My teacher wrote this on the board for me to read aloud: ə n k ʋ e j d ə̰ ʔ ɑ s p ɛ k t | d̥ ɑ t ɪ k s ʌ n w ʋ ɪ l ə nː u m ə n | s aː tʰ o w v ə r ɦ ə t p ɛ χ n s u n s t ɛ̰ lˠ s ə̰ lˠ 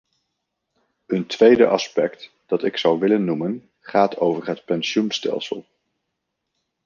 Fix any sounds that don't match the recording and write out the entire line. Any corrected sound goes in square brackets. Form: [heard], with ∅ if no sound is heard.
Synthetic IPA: ə n [t] ʋ e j d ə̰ ʔ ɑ s p ɛ k t | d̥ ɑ t ɪ k s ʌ [∅] w ʋ ɪ l ə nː u m ə n | [χ] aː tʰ o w v ə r ɦ ə t p ɛ [∅] n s u n s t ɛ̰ lˠ s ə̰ lˠ